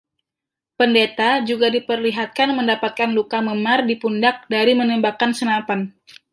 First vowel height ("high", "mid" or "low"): mid